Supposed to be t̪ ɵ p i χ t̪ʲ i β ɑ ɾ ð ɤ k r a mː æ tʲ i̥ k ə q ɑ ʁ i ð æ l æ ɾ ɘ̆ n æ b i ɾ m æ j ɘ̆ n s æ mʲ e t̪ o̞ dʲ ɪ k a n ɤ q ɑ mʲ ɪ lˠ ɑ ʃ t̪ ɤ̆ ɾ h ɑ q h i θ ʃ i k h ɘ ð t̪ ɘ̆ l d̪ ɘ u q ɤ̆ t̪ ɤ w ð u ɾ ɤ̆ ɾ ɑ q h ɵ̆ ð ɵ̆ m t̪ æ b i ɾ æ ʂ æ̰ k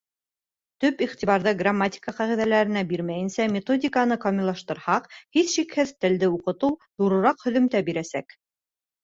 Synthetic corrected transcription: t̪ ɵ p i χ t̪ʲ i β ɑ ɾ ð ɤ ɡ r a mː a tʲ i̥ k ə q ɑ ʁ i ð æ l æ ɾ ɘ̆ n æ b i ɾ m æ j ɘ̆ n s æ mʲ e t̪ o̞ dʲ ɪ k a n ɤ q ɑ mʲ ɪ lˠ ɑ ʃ t̪ ɤ̆ ɾ h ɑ q h i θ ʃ i k h ɘ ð t̪ ɘ̆ l d̪ ɘ u q ɤ̆ t̪ ɤ w ð u ɾ ɤ̆ ɾ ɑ q h ɵ̆ ð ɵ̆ m t̪ æ b i ɾ æ s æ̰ k

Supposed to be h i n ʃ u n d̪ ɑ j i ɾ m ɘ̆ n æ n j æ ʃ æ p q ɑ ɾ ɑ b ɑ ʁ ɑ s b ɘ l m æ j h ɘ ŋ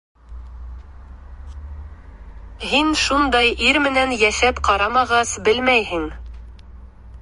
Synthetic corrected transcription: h i n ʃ u n d̪ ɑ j i ɾ m ɘ̆ n æ n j æ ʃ æ p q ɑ ɾ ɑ m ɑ ʁ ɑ s b ɘ l m æ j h ɘ ŋ

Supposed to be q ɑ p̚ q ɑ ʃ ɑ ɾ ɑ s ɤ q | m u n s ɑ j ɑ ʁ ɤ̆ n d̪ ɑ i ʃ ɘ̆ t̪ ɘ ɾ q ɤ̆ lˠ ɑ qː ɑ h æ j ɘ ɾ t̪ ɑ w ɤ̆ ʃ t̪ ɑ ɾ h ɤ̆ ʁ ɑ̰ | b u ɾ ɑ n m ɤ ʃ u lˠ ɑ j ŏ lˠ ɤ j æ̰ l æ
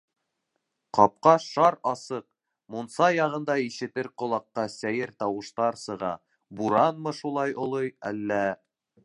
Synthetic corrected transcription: q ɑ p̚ q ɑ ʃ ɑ ɾ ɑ s ɤ q | m u n s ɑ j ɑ ʁ ɤ̆ n d̪ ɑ i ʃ ɘ̆ t̪ ɘ ɾ q ŏ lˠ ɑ qː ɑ s æ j ɘ ɾ t̪ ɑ w ɤ̆ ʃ t̪ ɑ ɾ s ɤ̆ ʁ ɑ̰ | b u ɾ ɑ n m ɤ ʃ u lˠ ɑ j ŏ lˠ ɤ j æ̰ lː æ

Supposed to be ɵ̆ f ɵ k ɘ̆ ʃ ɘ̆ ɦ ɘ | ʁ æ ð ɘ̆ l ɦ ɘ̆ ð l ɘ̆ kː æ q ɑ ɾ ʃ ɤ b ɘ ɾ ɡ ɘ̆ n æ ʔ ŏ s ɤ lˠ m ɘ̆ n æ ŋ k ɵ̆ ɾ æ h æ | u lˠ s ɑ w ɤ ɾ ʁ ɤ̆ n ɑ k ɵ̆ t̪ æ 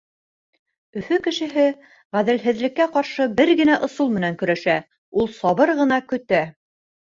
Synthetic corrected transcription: ɵ̆ f ɵ k ɘ̆ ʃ ɘ̆ ɦ ɘ | ʁ æ ð ɘ̆ l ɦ ɘ̆ ð l ɘ̆ kː æ q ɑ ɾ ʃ ɤ b ɘ ɾ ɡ ɘ̆ n æ ʔ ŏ s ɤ lˠ m ɘ̆ n æ ŋ k ɵ̆ ɾ æ ʃ æ | u lˠ s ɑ β ɤ ɾ ʁ ɤ̆ n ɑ k ɵ̆ t̪ æ

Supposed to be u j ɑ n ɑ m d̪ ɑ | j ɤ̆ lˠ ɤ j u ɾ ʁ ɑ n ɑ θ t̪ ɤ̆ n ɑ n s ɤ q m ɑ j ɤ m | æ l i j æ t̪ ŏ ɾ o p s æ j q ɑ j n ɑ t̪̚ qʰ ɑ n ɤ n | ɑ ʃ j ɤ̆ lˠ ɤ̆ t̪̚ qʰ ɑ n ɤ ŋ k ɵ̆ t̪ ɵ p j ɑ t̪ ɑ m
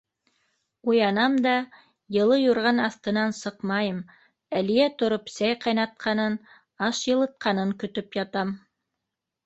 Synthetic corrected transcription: u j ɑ n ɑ m d̪ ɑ | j ɤ̆ lˠ ɤ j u ɾ ʁ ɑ n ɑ θ t̪ ɤ̆ n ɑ n s ɤ q m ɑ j ɤ m | æ l i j æ t̪ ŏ ɾ o p s æ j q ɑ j n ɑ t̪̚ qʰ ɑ n ɤ n | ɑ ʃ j ɤ̆ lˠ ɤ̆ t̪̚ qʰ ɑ n ɤ ŋ k ɵ̆ t̪ ɵ p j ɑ t̪ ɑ m

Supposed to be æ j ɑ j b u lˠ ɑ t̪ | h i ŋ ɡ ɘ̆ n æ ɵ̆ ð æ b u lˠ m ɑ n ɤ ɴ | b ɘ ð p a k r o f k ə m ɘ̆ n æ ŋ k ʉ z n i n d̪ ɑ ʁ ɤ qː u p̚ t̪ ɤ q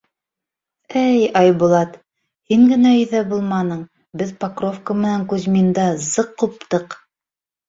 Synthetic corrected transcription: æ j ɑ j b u lˠ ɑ t̪ | h i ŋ ɡ ɘ̆ n æ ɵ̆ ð æ b u lˠ m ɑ n ɤ ɴ | b ɘ ð p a k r o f k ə m ɘ̆ n æ ŋ k ʉ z m i n d̪ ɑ z ɤ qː u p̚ t̪ ɤ q

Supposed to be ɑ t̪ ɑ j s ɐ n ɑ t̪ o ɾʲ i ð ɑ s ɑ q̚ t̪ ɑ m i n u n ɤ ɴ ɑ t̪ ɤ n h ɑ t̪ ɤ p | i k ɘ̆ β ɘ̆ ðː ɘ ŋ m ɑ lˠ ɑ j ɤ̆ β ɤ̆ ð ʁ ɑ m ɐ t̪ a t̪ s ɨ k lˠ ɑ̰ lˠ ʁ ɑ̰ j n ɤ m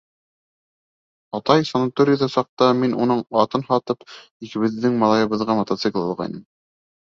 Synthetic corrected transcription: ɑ t̪ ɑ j s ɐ n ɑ t̪ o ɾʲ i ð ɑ s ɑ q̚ t̪ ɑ m i n u n ɤ ɴ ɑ t̪ ɤ n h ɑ t̪ ɤ p | i k ɘ̆ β ɘ̆ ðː ɘ ŋ m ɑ lˠ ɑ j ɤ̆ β ɤ̆ ð ʁ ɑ m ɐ t̪ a t̪ s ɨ k lˠ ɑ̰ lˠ ʁ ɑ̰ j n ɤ m

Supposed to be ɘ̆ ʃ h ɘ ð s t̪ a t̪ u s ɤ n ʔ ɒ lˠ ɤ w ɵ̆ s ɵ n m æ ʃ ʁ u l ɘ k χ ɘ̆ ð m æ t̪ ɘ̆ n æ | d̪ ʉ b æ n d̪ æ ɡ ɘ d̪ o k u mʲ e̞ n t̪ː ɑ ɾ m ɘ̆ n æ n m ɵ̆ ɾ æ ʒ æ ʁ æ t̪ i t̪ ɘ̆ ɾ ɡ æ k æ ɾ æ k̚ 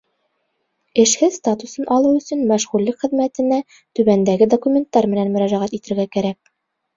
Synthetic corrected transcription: ɘ̆ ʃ h ɘ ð s t̪ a t̪ u s ɤ n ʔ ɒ lˠ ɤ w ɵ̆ s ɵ n m æ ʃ ʁ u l ɘ k χ ɘ̆ ð m æ t̪ ɘ̆ n æ | t̪ ʉ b æ n d̪ æ ɡ ɘ d̪ o k u mʲ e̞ n t̪ː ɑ ɾ m ɘ̆ n æ n m ɵ̆ ɾ æ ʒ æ ʁ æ t̪ i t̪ ɘ̆ ɾ ɡ æ k æ ɾ æ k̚

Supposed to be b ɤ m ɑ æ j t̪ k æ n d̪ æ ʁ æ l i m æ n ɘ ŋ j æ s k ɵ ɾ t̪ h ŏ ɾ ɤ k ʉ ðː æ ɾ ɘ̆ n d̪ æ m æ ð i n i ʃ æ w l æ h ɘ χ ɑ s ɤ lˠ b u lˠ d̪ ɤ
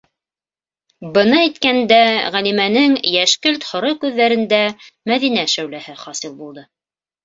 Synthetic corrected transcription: b ɤ n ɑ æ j t̪ k æ n d̪ æ ʁ æ l i m æ n ɘ ŋ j æ ʃ k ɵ l t̪ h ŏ ɾ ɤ k ʉ ðː æ ɾ ɘ̆ n d̪ æ m æ ð i n æ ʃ æ w l æ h ɘ χ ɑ s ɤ lˠ b u lˠ d̪ ɤ

